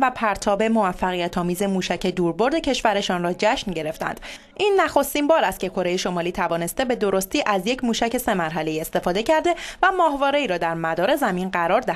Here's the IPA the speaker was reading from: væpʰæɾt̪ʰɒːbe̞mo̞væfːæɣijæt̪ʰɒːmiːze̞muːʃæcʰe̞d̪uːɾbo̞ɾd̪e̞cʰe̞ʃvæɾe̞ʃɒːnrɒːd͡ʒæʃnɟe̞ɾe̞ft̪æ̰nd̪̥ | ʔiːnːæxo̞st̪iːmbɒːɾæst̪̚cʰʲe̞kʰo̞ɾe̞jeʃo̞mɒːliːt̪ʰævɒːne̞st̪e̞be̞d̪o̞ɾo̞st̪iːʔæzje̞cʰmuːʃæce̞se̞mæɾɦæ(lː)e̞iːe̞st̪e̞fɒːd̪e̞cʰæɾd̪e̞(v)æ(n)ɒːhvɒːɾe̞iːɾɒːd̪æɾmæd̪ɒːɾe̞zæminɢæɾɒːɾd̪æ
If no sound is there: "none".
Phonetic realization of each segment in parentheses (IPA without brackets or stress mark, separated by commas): l, v, m